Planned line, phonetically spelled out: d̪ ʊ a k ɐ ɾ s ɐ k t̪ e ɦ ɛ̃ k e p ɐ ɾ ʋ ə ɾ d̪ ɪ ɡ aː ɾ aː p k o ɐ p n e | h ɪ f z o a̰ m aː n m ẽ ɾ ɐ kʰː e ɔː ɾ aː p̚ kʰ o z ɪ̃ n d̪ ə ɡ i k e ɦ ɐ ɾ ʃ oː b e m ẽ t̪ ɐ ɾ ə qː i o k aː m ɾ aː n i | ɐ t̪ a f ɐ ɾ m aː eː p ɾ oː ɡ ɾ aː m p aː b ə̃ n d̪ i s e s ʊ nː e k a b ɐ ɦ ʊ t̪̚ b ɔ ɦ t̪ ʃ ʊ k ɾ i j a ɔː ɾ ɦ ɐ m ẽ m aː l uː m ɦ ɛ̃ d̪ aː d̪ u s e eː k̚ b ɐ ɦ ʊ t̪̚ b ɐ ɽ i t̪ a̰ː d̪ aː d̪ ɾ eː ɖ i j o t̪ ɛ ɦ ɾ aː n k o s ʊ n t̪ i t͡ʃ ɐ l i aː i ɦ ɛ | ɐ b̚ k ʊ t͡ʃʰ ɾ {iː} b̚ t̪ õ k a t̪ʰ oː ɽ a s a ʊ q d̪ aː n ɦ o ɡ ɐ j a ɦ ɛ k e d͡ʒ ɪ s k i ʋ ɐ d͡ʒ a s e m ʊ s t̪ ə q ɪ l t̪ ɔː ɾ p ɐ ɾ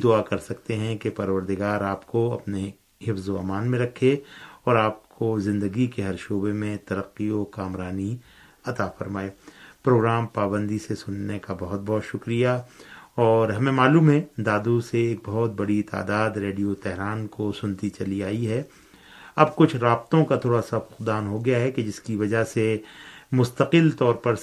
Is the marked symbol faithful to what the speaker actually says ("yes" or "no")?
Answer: no